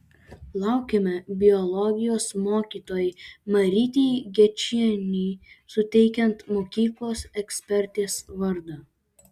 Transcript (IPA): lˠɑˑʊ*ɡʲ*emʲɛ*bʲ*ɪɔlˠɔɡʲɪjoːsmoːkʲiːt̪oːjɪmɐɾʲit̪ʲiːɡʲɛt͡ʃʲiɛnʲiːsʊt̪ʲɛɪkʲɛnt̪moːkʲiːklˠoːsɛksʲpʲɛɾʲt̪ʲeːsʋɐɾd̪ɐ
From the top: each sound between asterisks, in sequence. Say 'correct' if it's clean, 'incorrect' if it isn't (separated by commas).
incorrect, correct